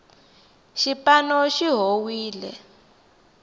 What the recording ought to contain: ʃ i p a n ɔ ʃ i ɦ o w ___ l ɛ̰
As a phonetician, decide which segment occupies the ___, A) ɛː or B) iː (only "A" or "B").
B